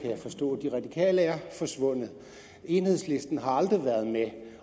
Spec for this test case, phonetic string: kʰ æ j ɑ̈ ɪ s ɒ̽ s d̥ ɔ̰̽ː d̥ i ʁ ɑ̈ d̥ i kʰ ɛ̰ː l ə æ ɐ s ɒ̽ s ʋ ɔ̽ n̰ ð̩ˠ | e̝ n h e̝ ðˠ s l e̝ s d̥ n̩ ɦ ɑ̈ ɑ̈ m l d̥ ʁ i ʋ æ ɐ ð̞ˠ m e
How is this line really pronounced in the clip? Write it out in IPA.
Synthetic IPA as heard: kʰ æ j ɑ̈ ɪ f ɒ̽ s d̥ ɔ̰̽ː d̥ i ʁ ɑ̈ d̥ i kʰ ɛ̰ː l ə æ ɐ f ɒ̽ s ʋ ɔ̽ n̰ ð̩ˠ | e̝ n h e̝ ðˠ s l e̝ s d̥ n̩ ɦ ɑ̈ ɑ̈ l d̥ ʁ i ʋ æ ɐ ð̞ˠ m e